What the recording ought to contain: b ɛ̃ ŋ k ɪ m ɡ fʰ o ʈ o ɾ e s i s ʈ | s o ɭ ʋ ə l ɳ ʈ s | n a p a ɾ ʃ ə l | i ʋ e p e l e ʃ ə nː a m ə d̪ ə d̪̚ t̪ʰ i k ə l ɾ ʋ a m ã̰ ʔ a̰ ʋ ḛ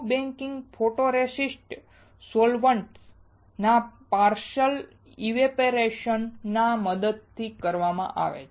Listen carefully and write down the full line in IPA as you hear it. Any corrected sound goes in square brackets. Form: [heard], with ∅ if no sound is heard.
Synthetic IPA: b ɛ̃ ŋ k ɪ [ŋ] ɡ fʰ o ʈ o ɾ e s i s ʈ | s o [l] ʋ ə [∅] ɳ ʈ s | n a p a ɾ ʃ ə l | i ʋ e p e [ɾ] e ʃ ə nː a m ə d̪ ə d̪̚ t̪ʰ i k ə [∅] ɾ ʋ a m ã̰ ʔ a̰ ʋ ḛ

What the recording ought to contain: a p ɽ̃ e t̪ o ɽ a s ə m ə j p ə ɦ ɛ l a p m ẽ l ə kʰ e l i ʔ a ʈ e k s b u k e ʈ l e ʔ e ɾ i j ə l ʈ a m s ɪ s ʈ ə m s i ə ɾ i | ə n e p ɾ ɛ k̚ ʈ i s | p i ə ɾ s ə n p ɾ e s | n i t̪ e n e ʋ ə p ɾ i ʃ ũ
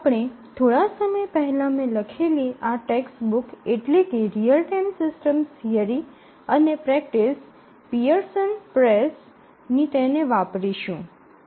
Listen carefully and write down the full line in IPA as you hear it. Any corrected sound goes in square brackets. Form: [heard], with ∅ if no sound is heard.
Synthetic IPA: a p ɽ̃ e [t̪ʰ] o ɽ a s ə m ə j p ə ɦ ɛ l a [∅] m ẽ l ə kʰ e l i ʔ a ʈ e k s b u k e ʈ l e [k] e ɾ i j ə l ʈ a m s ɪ s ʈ ə m s i ə ɾ i | ə n e p ɾ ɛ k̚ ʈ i s | p i ə ɾ s ə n p ɾ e s | n i t̪ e n e ʋ [a] p ɾ i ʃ ũ

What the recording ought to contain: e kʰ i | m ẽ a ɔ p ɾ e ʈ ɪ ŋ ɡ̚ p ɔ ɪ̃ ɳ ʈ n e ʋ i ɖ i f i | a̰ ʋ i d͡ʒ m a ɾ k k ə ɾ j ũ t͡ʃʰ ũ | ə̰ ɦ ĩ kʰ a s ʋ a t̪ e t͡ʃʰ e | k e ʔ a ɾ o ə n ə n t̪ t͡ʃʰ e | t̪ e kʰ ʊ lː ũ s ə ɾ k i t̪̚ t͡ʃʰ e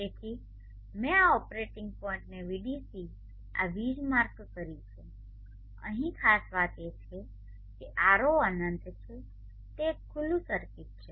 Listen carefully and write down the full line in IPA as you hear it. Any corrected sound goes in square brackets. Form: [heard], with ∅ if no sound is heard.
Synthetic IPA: e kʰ i | m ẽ a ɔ p ɾ e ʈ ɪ ŋ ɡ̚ p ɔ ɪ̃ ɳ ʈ n e ʋ i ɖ i [s] i | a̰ ʋ i d͡ʒ m a ɾ k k ə ɾ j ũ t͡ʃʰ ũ | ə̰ ɦ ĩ kʰ a s ʋ a t̪ e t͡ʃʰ e | k e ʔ a ɾ o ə n ə n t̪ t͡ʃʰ e | t̪ e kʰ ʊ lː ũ s ə ɾ k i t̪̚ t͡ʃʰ e

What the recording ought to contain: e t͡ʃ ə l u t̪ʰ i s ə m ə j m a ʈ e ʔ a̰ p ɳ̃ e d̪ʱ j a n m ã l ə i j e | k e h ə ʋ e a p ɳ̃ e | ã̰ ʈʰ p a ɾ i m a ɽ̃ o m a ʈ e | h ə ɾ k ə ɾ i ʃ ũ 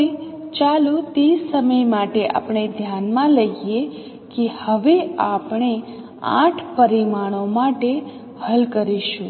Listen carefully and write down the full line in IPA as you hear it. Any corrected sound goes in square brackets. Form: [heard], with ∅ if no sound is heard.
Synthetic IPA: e t͡ʃ [a] l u [t̪] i s ə m ə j m a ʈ e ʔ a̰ p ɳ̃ e d̪ʱ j a n m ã l ə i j e | k e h ə ʋ e a p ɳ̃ e | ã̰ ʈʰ p [ə] ɾ i m a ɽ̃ o m a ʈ e | h ə [l] k ə ɾ i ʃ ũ

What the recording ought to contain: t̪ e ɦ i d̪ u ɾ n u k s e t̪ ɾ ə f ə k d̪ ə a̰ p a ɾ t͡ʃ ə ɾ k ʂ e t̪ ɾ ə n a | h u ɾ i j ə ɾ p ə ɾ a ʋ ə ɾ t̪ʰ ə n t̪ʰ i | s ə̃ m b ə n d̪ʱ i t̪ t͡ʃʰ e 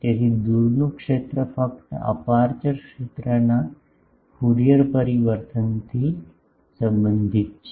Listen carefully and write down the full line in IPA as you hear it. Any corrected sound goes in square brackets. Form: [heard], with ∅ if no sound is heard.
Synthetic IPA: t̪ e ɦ i d̪ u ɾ n u k [ʂ] e t̪ ɾ ə f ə k [t̪] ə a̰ p a ɾ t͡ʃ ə ɾ k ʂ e t̪ ɾ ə n a | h u ɾ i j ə ɾ p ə ɾ [i] ʋ ə ɾ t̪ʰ ə n t̪ʰ i | s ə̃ m b ə n d̪ʱ i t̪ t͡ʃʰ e

